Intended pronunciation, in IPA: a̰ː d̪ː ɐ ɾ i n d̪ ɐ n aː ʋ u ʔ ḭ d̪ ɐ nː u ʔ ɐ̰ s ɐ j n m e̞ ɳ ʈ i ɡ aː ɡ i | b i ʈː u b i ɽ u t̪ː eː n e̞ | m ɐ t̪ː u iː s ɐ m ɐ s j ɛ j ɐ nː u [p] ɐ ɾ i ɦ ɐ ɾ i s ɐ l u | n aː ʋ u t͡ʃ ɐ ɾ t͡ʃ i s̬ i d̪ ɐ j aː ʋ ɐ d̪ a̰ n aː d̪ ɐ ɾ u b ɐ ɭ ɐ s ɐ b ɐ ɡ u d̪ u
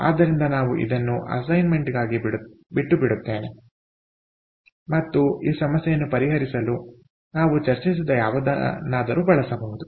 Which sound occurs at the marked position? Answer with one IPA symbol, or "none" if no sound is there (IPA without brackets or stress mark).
p